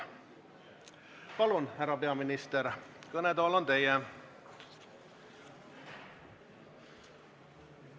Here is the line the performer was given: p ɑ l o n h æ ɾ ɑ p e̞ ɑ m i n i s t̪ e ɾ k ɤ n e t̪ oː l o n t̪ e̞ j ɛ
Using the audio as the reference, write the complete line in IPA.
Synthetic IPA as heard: p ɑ l u n h æ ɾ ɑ p e̞ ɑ m i n i s t̪ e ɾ k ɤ n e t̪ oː l o n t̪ e̞ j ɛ

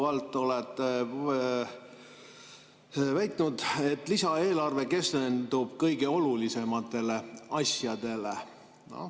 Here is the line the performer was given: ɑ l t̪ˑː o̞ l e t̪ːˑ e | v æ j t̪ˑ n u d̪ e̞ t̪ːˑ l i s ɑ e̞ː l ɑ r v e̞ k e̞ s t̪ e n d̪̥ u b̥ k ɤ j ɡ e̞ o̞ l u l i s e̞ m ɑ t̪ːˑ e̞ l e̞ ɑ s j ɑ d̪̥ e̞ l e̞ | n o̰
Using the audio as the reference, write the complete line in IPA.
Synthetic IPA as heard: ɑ l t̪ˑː o̞ l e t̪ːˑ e | v æ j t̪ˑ n u d̪ e̞ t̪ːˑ l i s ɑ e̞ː l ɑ r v e̞ k e̞ s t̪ e n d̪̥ u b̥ k ɤ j ɡ e̞ o̞ l u l i s e̞ m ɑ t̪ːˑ e̞ l e̞ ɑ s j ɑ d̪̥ e̞ l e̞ | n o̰

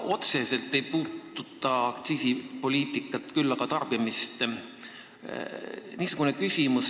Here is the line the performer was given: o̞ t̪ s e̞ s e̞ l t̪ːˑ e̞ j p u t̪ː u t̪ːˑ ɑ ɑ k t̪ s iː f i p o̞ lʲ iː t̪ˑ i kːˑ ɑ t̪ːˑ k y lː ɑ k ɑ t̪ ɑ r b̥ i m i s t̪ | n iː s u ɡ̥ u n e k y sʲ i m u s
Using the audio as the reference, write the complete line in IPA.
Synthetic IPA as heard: o̞ t̪ s e̞ s e̞ l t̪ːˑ e̞ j p uː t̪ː u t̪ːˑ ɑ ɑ k t̪ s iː s i p o̞ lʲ iː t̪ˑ i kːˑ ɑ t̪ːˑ k y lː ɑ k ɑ t̪ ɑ r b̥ i m i s t̪ | n iː s u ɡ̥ u n e k y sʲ i m u s

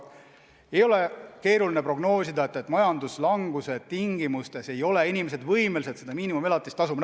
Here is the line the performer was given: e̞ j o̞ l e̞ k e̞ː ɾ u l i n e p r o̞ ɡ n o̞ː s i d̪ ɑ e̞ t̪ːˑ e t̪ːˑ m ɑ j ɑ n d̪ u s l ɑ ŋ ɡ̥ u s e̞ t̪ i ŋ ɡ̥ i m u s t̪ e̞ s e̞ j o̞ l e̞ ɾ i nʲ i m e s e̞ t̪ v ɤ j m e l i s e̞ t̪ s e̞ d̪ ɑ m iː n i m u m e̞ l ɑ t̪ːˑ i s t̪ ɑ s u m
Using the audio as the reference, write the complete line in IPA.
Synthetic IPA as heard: e̞ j o̞ l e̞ k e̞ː ɾ u l i n e p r o̞ ɡ n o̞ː s i d̪ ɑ e̞ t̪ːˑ e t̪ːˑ m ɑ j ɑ n d̪ u s l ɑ ŋ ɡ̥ u s e̞ t̪ i ŋ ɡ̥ i m u s t̪ e̞ s e̞ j o̞ l e̞ i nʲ i m e s e̞ d̪ v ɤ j m e l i s e̞ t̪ s e̞ d̪ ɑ m iː n i m u m e̞ l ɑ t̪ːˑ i s t̪ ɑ s u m

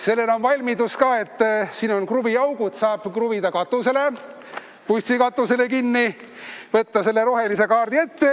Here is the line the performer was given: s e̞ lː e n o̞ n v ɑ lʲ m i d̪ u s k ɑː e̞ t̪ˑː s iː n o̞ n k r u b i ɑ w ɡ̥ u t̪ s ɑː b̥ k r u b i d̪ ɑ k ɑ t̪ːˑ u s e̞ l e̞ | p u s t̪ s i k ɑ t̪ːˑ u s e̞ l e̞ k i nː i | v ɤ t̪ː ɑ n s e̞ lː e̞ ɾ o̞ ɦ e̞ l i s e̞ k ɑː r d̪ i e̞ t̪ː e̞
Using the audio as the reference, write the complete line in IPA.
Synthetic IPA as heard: s e̞ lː e n o̞ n v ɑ lʲ m i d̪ u s k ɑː e̞ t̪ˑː s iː n o̞ n k r u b i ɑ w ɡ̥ u t̪ s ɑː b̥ k r u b i d̪ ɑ k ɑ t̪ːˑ u s e̞ l e̞ | p u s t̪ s i k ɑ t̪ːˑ u s e̞ l e̞ k i nː i | v ɤ t̪ː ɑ s e̞ lː e̞ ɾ o̞ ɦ e̞ l i s e̞ k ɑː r d̪ i e̞ t̪ː e̞

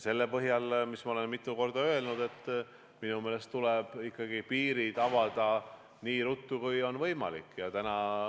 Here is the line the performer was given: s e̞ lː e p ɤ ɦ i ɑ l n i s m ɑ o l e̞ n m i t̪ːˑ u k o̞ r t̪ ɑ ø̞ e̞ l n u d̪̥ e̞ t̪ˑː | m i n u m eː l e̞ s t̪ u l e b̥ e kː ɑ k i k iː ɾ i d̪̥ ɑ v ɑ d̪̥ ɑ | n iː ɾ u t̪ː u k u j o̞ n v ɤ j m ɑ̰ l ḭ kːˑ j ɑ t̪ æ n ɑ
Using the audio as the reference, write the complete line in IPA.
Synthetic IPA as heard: s e̞ lː e p ɤ ɦ j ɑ l m i s m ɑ o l e̞ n m i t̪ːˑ u k o̞ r d̪ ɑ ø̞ e̞ l n u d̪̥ e̞ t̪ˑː | m i n u m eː l e̞ s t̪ u l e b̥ i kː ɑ ɡ i p iː ɾ i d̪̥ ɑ v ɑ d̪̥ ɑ | n iː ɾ u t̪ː u k u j o̞ n v ɤ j m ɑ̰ l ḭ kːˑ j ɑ t̪ æ n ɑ

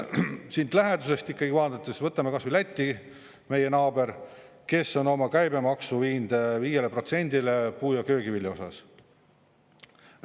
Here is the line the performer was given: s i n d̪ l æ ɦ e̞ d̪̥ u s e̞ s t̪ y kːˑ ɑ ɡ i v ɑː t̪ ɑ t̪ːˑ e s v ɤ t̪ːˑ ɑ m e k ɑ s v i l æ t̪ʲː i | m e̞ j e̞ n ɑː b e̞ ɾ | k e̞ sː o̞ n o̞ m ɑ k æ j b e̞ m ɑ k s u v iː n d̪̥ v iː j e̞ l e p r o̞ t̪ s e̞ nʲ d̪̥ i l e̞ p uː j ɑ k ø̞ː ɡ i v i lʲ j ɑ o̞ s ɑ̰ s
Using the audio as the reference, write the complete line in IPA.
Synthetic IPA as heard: s i n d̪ l æ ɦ e̞ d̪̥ u s e̞ s t̪ i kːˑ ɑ ɡ i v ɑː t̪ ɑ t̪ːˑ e s v ɤ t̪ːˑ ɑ m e k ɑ s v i l æ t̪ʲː i | m e̞ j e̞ n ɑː b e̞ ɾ | k e̞ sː o̞ n o̞ m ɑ k æ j b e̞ m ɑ k s u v iː n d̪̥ v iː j e̞ l e p r o̞ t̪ s e̞ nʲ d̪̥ i l e̞ p uː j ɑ k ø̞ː ɡ i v i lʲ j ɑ o̞ s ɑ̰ s

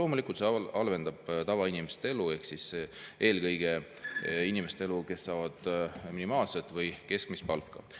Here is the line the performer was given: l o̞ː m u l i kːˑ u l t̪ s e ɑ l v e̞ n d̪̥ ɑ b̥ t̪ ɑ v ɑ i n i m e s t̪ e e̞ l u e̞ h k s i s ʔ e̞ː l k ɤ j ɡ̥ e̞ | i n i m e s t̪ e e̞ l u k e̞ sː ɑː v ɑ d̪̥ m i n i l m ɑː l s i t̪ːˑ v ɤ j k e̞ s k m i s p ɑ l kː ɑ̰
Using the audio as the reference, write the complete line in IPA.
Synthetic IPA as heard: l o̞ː m u l i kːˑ u l t̪ s e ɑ l v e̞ n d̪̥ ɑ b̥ t̪ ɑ v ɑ i n i m e s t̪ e e̞ l u e̞ h k s i s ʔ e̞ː l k ɤ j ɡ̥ e̞ | i n i m e s t̪ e e̞ l u k e̞ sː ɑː v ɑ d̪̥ m i n i m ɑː l s e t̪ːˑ v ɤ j k e̞ s k m i s p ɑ l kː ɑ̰

